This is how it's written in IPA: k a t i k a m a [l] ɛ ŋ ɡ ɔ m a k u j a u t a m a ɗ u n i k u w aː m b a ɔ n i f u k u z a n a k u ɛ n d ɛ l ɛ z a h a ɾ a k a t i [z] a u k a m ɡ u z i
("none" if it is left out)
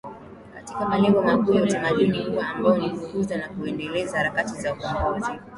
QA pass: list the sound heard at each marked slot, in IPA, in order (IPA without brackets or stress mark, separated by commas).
l, z